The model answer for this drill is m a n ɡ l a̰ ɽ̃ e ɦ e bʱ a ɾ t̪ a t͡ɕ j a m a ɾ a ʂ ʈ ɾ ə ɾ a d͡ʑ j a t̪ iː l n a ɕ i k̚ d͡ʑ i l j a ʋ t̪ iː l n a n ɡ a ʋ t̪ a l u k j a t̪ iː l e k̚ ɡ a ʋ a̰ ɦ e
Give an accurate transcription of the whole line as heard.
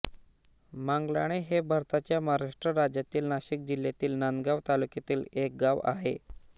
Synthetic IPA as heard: m a ŋ ɡ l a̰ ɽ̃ e ɦ e bʱ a ɾ t̪ a t͡ɕ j a m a ɾ a ʂ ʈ ɾ ə ɾ a d͡ʑ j a t̪ iː l n a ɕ i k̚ d͡ʑ i l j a t̪ iː l n a n ɡ a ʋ t̪ a l u k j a t̪ iː l e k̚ ɡ a ʋ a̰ ɦ e